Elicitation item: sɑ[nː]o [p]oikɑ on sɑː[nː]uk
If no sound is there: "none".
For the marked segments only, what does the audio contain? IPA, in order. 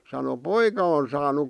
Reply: n, p, n

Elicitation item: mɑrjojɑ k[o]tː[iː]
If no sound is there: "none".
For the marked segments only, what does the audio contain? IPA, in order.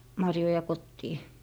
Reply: o, iː

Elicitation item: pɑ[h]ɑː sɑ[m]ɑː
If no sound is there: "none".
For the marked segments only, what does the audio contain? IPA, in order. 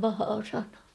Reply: h, n

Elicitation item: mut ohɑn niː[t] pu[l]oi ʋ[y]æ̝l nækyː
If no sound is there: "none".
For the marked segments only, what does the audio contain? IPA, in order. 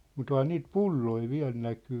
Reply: t, lː, i

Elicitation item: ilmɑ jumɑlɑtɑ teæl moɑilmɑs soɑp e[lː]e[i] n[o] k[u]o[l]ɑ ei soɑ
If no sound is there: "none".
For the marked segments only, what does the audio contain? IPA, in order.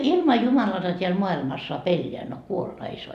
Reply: lː, æ, o, u, lː

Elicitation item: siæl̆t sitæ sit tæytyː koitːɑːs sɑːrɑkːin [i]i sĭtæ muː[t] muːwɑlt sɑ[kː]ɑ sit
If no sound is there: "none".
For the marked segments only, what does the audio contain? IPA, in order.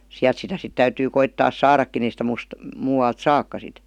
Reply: e, s, kː

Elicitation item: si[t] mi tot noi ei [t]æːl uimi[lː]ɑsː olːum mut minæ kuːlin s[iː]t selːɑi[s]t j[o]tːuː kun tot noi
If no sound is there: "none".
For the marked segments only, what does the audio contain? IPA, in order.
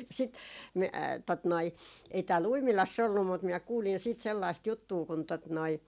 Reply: t, t, l, iː, s, u

